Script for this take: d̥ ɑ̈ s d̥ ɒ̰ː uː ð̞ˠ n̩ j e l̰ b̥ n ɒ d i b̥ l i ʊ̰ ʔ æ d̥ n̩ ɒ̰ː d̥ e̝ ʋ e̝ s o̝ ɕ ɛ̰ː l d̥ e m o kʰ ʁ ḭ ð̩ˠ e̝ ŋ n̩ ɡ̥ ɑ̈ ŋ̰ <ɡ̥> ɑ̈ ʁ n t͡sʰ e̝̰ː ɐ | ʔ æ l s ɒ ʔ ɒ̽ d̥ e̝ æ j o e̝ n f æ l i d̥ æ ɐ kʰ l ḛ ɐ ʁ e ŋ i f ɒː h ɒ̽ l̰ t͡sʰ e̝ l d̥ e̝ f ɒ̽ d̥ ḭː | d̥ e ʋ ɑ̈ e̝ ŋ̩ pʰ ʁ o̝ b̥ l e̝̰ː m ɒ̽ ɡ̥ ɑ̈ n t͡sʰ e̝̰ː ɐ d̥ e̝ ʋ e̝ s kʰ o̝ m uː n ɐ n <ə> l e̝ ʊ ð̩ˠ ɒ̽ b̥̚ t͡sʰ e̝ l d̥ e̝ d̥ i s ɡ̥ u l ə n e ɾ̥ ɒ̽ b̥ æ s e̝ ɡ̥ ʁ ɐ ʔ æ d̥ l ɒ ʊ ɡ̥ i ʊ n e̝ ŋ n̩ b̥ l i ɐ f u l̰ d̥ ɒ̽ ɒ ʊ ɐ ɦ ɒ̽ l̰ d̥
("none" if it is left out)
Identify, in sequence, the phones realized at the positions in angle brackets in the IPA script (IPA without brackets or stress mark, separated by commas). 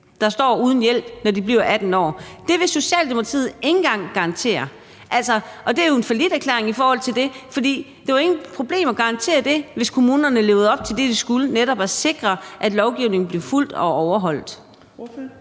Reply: ɡ̥, ə